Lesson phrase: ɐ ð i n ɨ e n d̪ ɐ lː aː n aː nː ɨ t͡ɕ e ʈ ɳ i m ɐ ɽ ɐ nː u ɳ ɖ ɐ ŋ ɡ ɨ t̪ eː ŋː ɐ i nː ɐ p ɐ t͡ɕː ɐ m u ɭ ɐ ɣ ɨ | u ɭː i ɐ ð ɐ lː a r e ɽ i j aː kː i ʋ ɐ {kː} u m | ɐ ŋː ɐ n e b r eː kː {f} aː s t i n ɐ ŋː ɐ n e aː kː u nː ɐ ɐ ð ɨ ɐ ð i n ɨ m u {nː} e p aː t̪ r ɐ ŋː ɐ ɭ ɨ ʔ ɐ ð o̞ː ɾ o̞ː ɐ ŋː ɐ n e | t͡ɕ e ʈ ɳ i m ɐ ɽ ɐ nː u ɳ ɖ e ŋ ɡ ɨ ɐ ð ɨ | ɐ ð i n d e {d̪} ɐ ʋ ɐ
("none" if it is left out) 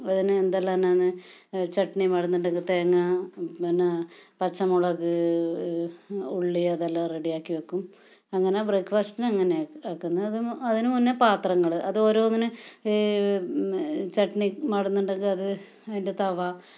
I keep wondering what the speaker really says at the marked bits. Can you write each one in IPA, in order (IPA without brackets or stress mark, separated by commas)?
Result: kː, f, nː, t̪